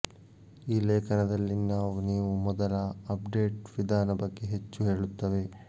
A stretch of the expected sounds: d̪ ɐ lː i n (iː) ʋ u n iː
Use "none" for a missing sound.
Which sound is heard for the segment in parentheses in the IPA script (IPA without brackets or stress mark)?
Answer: aː